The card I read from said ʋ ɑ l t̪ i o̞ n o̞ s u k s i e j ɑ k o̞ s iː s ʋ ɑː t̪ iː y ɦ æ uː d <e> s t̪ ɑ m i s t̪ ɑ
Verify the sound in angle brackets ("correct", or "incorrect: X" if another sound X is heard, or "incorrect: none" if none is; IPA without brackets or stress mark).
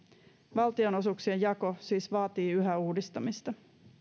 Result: incorrect: i